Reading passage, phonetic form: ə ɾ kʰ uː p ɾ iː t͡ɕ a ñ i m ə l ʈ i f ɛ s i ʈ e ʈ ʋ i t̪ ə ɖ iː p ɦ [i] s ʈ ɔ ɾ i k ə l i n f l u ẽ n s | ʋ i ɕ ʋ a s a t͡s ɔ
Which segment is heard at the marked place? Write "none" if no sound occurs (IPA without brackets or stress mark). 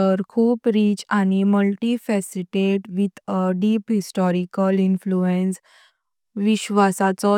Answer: i